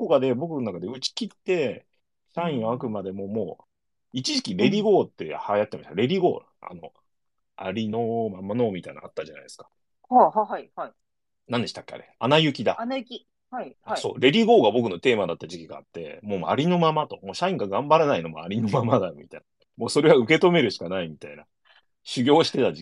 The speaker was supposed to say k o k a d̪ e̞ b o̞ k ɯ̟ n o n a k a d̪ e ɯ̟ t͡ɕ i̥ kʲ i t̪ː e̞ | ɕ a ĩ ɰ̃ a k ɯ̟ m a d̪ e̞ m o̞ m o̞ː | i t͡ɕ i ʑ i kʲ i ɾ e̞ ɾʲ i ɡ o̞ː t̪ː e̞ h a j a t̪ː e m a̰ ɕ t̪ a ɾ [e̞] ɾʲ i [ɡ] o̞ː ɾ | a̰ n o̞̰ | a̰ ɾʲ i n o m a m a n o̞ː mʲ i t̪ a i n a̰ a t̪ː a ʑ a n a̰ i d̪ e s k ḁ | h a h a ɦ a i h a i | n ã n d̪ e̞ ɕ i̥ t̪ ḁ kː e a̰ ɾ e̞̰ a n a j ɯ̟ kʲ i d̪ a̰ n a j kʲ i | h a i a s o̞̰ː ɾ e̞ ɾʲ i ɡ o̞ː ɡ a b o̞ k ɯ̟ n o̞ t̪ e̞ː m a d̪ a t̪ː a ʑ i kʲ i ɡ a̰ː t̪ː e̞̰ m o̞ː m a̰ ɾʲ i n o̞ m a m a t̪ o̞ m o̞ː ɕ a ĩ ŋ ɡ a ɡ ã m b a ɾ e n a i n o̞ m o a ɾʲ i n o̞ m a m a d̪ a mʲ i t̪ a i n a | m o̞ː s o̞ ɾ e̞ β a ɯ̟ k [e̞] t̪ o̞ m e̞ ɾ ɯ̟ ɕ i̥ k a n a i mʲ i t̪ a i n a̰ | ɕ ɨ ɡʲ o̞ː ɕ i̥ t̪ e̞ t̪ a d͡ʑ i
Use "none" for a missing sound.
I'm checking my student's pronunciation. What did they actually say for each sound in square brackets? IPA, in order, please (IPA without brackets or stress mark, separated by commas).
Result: e̞, ɡ, e̞